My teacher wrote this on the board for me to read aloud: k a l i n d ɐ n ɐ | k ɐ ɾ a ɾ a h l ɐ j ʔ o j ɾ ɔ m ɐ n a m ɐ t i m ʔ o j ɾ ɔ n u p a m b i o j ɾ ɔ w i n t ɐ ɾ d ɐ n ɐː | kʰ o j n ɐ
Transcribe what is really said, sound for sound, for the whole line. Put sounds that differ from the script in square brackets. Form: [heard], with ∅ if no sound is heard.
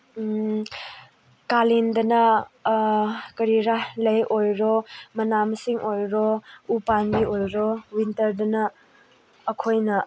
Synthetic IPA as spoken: k a l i n d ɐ n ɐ | k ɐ ɾ [i] ɾ a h l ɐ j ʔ o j ɾ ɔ m ɐ n a m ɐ [s] i [ŋ] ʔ o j ɾ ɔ [∅] u p a [n] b i o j ɾ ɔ w i n t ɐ ɾ d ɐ n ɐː | kʰ o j n ɐ